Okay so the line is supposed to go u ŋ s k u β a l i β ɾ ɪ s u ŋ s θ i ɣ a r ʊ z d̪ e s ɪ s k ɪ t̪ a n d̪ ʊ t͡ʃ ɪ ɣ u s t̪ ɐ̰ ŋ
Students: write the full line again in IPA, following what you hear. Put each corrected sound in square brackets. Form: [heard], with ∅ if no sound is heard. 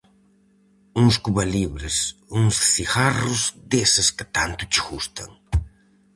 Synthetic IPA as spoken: u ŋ s k u β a l i β ɾ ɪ s u ŋ s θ i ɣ a r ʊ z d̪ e s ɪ s k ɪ t̪ a n [t̪] ʊ t͡ʃ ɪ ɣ u s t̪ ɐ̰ ŋ